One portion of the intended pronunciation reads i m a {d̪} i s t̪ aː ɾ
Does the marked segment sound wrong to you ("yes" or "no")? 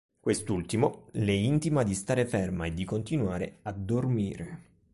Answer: no